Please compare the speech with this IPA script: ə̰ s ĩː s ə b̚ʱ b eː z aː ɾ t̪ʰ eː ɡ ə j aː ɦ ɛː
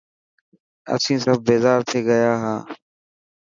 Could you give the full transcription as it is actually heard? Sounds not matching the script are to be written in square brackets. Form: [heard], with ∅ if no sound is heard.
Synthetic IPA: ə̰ s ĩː s ə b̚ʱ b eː z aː ɾ t̪ʰ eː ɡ ə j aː ɦ [aː]